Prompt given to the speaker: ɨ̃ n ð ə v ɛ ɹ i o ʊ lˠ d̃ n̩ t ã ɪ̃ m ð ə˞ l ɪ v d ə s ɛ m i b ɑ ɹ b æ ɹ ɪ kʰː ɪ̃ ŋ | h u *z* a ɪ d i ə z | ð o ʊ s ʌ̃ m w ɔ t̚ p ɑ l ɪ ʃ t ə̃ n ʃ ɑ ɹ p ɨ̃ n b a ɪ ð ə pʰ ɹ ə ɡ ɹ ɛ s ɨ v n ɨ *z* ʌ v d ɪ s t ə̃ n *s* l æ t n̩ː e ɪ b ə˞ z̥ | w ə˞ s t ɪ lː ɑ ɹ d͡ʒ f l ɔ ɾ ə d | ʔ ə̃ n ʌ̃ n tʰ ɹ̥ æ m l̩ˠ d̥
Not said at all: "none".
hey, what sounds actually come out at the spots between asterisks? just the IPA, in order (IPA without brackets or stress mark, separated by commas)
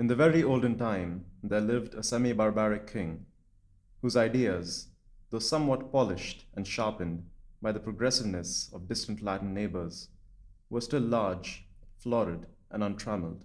z, s, t